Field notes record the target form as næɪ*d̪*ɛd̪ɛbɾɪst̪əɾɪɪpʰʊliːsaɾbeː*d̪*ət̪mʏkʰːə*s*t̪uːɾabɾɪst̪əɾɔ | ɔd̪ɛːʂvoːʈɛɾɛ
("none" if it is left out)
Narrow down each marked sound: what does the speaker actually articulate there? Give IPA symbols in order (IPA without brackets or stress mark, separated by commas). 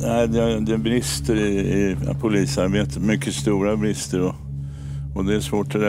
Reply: d̪, t̪, s